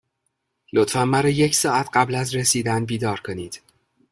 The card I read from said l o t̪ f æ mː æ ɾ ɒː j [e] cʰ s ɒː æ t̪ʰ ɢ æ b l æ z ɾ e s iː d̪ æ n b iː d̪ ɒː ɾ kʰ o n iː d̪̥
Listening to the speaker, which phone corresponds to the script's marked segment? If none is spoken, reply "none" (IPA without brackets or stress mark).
e